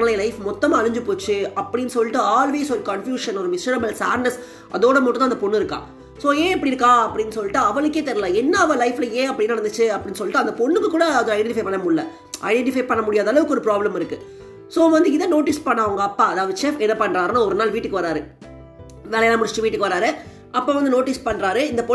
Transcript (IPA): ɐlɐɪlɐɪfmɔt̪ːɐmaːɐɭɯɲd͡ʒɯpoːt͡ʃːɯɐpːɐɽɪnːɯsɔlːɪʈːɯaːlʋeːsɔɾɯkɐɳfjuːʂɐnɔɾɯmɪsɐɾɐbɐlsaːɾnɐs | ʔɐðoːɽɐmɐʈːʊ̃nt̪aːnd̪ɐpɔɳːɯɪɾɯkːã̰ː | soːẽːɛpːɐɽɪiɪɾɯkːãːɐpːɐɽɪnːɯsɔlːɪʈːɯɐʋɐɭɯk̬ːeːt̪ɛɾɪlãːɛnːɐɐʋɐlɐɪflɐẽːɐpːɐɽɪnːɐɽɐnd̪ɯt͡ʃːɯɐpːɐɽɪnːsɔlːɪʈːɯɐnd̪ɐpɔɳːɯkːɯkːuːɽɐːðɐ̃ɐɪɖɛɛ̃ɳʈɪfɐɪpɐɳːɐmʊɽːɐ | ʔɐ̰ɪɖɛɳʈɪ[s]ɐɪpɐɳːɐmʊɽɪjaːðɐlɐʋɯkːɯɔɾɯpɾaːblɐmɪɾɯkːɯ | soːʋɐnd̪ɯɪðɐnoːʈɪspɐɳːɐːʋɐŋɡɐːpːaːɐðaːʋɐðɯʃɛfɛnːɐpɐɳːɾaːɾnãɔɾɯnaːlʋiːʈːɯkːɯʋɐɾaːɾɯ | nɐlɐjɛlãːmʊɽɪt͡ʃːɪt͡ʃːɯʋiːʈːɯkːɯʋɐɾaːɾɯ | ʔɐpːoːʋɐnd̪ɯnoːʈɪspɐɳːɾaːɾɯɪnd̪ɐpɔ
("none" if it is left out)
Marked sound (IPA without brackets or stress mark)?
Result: f